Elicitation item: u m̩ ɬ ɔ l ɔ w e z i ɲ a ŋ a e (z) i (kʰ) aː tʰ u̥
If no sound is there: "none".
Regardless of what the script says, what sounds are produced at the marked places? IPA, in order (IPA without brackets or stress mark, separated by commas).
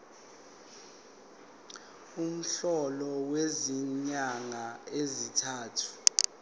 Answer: z, tʰ